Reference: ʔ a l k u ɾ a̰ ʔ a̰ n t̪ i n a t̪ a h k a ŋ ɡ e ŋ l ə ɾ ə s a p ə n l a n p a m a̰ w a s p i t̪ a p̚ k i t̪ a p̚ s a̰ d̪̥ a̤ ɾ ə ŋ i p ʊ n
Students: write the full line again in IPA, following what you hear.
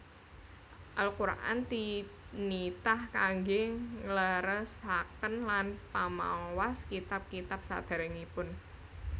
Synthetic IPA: ʔ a l k u ɾ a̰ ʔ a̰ n t̪ i n i t̪ a h k a ŋ ɡ e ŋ l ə ɾ ə s a k ə n l a n p a m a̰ w a s k i t̪ a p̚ k i t̪ a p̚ s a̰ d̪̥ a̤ ɾ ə ŋ i p ʊ n